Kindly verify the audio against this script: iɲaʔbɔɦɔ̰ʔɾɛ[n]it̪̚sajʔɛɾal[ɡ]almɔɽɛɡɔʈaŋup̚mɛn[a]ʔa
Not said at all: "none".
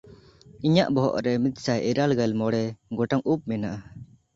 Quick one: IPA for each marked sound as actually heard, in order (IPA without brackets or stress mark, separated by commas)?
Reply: m, ɡ, a